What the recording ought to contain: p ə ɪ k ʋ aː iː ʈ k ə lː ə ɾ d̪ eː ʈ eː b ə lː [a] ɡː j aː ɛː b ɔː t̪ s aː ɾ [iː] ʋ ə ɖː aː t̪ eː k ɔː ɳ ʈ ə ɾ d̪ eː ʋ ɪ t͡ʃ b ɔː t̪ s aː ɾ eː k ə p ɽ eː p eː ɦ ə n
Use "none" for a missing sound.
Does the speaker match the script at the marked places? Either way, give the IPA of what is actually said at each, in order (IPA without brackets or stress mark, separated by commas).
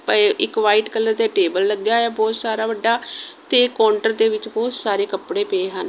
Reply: ə, aː